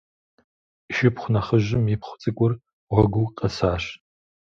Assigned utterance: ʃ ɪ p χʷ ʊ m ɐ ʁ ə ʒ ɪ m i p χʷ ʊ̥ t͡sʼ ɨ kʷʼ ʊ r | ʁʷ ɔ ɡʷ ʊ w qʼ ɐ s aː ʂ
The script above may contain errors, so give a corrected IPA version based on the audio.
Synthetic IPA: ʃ ɪ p χʷ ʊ n ɐ χ ə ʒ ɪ m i p χʷ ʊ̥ t͡sʼ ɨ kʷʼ ʊ r | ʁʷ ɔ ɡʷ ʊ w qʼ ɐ s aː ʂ

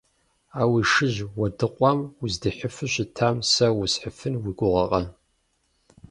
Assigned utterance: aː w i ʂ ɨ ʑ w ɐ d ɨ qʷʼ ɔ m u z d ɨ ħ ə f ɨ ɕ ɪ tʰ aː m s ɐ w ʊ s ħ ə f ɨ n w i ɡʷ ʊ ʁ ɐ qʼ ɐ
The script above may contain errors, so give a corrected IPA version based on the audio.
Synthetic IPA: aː w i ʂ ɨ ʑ w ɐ d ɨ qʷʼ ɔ m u z d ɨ ħ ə f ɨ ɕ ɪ tʰ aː m s ɐ w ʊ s ħ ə f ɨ n w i ɡʷ ʊ ʁ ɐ qʼ ɐ

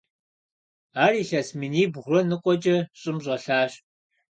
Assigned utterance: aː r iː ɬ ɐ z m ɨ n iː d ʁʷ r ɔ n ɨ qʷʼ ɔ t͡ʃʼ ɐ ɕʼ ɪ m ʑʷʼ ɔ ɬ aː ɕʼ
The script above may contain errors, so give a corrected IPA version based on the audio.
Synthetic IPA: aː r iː ɬ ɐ s m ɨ n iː b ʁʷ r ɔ n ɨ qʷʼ ɔ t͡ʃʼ ɐ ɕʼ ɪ m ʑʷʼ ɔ ɬ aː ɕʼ

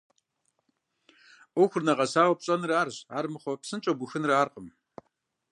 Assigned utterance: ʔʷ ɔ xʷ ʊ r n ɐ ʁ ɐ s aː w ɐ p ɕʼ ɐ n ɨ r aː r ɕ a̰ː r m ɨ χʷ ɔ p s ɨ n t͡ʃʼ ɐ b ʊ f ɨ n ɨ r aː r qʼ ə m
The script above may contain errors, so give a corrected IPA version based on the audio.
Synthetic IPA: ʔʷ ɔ xʷ ʊ r n ɐ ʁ ɐ s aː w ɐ p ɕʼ ɐ n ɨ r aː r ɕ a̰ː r m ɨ χʷ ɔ p s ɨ n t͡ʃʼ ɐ b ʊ x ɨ n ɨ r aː r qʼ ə m

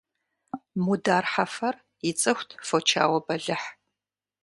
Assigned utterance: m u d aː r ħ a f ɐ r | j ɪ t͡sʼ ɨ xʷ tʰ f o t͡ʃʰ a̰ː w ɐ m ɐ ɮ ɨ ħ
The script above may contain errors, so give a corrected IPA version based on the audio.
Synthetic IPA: m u d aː r ħ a f ɐ r | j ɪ t͡sʼ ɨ xʷ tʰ f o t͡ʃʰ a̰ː w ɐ b ɐ ɮ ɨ ħ

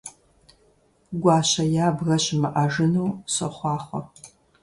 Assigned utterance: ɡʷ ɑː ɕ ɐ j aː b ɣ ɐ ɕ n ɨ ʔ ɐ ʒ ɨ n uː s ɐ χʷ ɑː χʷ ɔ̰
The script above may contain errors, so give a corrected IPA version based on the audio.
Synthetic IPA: ɡʷ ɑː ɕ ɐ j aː b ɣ ɐ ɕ m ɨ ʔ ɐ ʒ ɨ n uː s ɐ χʷ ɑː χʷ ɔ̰

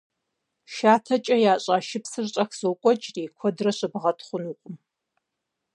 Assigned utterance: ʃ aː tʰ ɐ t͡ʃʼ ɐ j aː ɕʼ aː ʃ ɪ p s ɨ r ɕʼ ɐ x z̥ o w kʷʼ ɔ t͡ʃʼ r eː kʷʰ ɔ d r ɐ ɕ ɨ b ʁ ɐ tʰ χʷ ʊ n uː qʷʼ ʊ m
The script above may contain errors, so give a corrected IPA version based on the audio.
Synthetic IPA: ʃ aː tʰ ɐ t͡ʃʼ ɐ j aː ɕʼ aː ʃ ɪ p s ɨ r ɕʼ ɐ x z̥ o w kʷʼ ɔ t͡ʃʼ r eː kʷʰ ɔ d r ɐ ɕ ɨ b ʁ ɐ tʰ χʷ ʊ n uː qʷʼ ʊ m

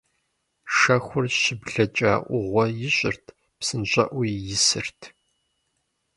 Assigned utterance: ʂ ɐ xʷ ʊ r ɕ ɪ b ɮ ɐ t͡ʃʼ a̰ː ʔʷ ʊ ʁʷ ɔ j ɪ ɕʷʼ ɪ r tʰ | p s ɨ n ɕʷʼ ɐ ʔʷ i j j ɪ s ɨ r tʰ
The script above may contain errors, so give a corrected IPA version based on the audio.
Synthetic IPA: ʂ ɐ xʷ ʊ r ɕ ɪ b ɮ ɐ t͡ʃʼ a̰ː ʔʷ ʊ ʁʷ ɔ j ɪ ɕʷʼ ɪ r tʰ | p s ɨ n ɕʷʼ ɐ ʔʷ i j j ɪ s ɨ r tʰ

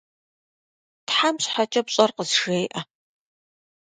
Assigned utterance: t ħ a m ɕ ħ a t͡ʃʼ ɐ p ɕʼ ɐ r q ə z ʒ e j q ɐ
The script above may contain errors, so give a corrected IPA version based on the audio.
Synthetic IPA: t ħ a m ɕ ħ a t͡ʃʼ ɐ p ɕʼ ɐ r q ə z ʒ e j ʔ ɐ

